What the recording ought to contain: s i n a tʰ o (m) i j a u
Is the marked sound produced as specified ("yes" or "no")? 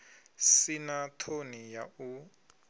no